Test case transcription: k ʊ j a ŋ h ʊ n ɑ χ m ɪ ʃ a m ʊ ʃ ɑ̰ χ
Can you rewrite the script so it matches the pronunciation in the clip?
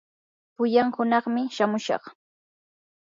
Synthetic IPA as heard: p ʊ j a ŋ h ʊ n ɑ χ m ɪ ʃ a m ʊ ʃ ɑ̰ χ